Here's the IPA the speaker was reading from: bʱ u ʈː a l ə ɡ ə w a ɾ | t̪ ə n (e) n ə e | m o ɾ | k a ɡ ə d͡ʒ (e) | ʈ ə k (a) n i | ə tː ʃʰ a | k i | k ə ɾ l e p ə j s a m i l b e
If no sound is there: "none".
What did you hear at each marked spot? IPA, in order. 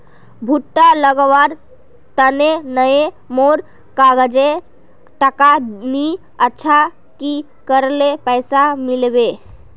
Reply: e, e, a

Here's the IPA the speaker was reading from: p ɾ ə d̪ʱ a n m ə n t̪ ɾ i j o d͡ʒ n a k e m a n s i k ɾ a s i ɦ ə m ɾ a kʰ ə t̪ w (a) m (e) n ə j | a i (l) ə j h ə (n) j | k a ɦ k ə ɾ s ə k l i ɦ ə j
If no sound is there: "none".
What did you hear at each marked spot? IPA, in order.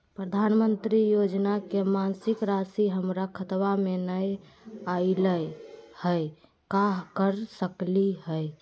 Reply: a, e, l, none

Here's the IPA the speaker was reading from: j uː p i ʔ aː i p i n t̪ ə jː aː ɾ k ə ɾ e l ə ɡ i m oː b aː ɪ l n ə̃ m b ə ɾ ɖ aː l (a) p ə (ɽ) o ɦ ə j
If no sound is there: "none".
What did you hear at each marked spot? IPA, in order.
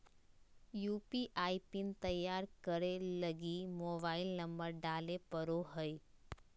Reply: e, ɾ

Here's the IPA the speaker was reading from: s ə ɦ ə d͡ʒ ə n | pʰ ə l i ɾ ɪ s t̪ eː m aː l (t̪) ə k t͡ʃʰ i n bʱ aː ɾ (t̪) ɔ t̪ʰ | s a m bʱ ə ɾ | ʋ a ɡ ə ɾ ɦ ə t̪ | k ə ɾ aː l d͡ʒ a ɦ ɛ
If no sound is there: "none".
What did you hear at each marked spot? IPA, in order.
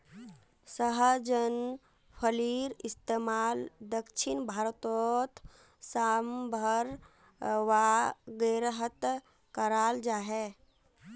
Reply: d̪, t̪

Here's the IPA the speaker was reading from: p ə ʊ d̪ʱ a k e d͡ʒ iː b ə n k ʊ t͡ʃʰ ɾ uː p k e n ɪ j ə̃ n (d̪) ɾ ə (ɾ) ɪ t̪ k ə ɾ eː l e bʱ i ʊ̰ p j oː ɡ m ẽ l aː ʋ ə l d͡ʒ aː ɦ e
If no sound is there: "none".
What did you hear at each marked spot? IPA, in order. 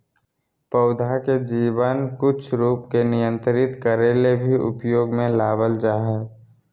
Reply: t̪, ɾ

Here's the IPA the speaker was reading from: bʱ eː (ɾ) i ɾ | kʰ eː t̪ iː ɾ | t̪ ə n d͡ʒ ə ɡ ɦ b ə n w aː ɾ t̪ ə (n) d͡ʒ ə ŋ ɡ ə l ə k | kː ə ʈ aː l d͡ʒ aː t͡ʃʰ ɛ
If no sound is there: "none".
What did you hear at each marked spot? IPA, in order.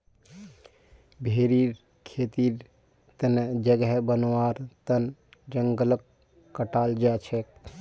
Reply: ɾ, n

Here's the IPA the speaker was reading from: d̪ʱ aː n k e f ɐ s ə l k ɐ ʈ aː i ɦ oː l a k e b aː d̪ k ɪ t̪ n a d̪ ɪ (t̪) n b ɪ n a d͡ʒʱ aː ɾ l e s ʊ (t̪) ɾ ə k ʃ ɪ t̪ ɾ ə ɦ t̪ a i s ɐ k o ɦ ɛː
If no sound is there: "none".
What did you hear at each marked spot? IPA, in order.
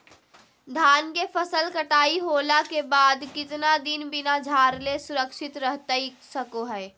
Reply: none, none

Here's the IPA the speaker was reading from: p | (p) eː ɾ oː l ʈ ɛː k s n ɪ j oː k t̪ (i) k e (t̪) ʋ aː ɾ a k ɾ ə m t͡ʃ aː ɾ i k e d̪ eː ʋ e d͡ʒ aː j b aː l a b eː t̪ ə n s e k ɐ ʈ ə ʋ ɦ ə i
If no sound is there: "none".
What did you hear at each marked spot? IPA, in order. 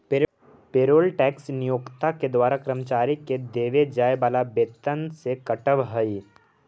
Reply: p, a, d̪

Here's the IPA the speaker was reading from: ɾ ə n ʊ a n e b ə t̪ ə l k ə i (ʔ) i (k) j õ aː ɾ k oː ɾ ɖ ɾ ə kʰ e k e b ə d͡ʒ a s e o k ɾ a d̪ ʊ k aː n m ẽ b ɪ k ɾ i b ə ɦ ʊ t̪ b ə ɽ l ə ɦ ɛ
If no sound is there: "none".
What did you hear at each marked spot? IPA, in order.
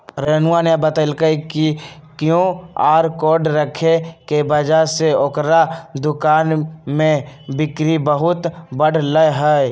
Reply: k, k

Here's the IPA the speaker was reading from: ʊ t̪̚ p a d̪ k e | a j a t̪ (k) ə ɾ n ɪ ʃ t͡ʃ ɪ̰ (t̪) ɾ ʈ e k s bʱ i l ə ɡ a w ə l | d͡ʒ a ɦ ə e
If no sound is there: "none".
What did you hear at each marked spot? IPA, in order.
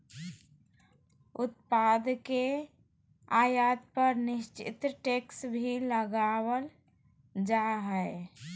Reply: p, t̪

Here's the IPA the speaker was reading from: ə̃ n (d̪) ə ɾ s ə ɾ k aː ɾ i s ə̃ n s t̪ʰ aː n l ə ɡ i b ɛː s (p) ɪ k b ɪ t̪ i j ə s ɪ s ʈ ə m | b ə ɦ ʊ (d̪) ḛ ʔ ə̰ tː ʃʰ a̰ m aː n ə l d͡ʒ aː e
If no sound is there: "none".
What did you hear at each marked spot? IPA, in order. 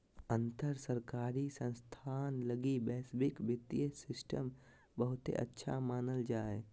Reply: t̪, b, t̪

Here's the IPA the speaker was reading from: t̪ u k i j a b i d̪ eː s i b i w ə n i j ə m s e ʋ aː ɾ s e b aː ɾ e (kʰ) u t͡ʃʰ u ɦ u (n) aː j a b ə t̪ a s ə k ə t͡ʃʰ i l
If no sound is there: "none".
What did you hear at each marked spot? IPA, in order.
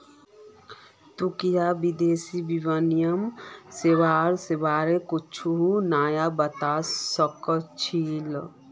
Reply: k, n

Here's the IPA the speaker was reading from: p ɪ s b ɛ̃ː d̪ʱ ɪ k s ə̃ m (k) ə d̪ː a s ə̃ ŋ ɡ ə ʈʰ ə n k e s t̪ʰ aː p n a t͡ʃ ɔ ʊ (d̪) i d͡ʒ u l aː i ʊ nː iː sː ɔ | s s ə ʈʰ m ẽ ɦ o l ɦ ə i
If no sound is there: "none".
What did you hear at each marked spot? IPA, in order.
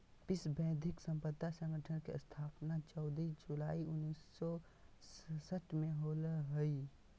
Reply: p, d̪

